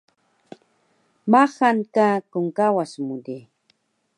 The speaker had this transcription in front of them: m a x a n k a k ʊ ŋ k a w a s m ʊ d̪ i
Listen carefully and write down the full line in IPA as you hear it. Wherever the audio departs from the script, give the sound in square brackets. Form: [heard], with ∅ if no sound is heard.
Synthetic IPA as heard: m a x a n k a k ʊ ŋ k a w a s m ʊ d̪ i